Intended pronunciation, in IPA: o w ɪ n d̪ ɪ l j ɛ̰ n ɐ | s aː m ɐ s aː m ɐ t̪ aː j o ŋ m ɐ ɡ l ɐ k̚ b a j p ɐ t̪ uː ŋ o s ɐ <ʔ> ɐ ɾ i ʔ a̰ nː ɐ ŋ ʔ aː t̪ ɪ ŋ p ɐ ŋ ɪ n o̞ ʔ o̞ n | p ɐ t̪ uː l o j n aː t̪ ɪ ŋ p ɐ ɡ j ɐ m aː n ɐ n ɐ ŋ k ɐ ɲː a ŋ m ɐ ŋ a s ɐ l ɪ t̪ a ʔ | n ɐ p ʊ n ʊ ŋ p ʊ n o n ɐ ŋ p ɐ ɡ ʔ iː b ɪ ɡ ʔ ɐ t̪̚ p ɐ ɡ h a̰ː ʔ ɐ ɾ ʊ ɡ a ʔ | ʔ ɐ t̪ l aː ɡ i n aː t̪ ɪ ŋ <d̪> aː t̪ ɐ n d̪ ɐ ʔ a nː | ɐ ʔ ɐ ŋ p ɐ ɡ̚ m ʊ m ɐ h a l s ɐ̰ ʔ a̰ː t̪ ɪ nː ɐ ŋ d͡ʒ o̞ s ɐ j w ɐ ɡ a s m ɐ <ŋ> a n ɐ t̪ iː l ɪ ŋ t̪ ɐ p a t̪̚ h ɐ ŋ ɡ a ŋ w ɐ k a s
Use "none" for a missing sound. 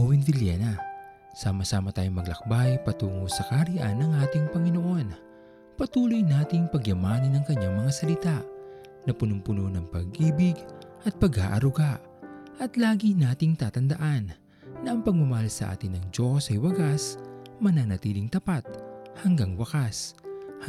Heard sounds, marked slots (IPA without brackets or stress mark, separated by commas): k, t̪, n